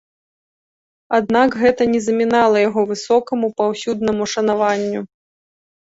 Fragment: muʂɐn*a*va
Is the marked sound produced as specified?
yes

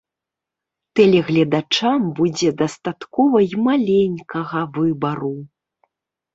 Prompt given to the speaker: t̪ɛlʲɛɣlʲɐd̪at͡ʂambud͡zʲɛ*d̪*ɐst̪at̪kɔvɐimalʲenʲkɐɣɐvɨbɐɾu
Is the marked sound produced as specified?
yes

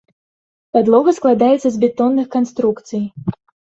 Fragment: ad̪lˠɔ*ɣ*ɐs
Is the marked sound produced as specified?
yes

